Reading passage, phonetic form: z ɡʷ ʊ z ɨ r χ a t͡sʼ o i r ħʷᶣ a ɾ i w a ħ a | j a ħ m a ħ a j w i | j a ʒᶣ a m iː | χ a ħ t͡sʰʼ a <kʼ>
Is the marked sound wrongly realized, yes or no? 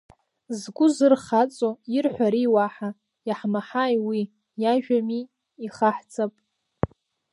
yes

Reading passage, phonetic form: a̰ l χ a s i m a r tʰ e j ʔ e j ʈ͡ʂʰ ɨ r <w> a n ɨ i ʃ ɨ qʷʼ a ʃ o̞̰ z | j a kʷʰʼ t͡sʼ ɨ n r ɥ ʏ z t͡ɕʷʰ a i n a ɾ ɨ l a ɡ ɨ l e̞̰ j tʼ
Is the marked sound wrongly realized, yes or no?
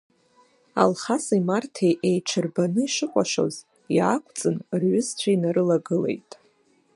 yes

